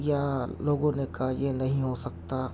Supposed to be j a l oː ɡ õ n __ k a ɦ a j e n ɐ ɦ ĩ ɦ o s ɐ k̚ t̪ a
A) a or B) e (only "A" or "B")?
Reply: B